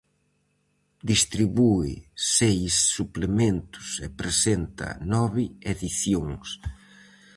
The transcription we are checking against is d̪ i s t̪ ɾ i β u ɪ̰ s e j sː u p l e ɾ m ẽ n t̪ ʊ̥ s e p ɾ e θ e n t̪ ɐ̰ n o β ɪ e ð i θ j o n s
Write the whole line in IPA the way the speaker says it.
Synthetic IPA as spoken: d̪ i s t̪ ɾ i β u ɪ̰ s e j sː u p l e m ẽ n t̪ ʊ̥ s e p ɾ e s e n t̪ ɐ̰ n ɔ β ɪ e ð i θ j o ŋ s